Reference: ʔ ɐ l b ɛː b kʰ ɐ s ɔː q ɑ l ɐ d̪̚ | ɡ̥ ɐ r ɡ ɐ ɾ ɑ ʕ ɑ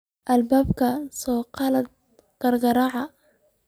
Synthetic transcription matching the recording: ʔ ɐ l b aː b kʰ ɐ s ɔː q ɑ l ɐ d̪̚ | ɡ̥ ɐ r ɡ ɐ ɾ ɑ ʕ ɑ